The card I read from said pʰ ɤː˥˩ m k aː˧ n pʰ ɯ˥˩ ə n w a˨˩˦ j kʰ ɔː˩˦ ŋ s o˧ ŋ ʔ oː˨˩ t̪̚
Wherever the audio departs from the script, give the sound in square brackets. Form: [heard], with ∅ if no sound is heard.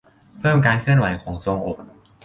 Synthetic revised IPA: pʰ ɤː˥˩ m k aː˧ n [kʰ] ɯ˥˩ ə n w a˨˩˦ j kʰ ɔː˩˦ ŋ s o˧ ŋ ʔ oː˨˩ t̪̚

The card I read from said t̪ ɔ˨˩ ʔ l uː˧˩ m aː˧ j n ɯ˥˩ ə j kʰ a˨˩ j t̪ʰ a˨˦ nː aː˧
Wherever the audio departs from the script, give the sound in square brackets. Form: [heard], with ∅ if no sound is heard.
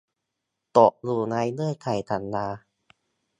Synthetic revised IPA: t̪ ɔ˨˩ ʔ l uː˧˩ [n] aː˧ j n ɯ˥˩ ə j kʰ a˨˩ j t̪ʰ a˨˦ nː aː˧

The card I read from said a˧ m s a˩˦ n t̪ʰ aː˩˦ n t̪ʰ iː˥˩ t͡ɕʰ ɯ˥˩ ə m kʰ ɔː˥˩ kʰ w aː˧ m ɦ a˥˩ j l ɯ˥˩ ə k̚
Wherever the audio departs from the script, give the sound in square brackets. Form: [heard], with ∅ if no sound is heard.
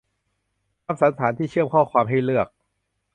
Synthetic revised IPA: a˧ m s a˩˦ n t̪ʰ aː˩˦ n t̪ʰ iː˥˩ t͡ɕʰ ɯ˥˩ ə m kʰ ɔː˥˩ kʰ w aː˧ m ɦ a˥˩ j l ɯ˥˩ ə k̚

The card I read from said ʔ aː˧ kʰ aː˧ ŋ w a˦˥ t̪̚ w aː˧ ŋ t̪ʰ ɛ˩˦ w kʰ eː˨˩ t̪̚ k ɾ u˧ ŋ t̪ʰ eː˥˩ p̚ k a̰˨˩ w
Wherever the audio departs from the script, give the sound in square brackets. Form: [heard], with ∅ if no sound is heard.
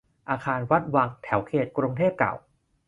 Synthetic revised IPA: ʔ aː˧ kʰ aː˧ [n] w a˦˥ t̪̚ w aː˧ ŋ t̪ʰ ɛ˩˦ w kʰ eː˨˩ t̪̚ k ɾ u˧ ŋ t̪ʰ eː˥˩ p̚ k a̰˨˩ w

